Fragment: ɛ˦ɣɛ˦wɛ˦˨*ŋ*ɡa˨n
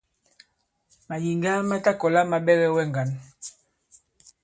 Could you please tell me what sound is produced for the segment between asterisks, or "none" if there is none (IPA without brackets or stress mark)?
ŋ